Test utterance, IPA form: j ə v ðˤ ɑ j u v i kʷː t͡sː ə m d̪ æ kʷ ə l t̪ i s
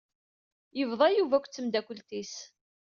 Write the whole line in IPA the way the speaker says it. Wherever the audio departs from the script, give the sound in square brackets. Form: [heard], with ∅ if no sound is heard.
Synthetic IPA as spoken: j ə v ðˤ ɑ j u v [æ] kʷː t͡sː ə m d̪ æ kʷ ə l t̪ i s